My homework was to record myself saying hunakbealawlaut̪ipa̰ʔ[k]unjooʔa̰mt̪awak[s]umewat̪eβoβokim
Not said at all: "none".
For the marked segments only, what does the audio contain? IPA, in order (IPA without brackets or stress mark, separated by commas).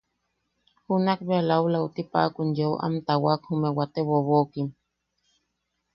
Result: k, h